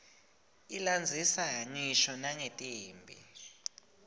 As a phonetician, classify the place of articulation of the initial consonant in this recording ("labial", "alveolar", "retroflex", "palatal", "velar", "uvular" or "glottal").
alveolar